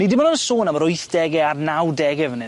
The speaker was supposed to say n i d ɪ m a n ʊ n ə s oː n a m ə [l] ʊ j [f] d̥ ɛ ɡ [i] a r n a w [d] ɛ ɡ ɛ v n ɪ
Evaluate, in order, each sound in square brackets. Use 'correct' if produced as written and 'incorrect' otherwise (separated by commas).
incorrect, incorrect, incorrect, correct